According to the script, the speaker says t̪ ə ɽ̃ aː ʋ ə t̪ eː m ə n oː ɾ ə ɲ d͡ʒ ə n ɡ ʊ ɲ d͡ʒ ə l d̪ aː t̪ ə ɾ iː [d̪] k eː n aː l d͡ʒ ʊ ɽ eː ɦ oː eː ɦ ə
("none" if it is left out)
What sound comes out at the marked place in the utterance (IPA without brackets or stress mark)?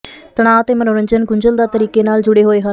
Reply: none